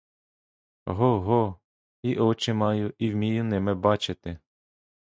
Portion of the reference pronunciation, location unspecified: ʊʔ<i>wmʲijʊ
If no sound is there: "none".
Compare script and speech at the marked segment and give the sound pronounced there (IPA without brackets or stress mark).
i